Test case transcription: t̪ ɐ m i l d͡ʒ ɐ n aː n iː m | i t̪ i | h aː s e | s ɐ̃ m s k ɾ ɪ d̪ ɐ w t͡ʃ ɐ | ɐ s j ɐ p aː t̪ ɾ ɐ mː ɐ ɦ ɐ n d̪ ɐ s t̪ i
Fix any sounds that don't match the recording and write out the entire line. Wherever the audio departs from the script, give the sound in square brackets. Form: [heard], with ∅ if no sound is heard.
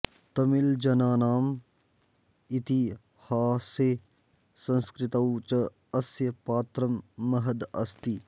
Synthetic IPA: t̪ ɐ m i l d͡ʒ ɐ n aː n [aː] m | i t̪ i | h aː s e | s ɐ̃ [n] s k ɾ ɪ [t̪] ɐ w t͡ʃ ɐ | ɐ s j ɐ p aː t̪ ɾ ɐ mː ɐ ɦ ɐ [∅] d̪ ɐ s t̪ i